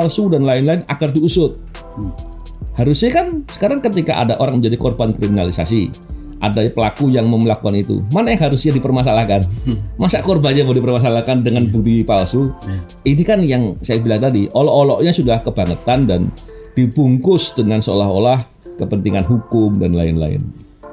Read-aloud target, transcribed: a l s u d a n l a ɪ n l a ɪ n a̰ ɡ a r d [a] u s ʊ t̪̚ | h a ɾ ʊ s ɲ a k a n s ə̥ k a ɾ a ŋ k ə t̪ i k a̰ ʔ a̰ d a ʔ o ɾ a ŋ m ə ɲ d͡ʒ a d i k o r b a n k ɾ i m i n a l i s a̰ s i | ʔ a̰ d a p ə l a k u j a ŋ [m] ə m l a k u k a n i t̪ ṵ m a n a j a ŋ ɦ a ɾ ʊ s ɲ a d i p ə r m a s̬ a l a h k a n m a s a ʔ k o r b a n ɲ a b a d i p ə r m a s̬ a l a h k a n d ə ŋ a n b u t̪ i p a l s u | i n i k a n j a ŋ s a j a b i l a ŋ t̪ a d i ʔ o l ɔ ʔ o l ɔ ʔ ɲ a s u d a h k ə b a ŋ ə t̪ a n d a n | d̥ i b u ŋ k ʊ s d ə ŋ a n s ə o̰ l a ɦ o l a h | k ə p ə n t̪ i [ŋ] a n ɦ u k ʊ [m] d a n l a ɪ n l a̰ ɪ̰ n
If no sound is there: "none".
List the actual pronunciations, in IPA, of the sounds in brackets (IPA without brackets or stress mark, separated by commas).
i, m, ŋ, m